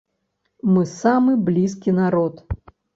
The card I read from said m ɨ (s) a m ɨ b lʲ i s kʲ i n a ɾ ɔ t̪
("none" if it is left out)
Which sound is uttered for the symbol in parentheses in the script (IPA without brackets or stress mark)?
s